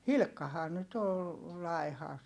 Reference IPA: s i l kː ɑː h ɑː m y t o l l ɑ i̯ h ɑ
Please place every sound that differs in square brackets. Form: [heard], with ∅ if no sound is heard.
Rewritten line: [h] i l kː [ɑ] h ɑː [n] y t o l l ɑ i̯ h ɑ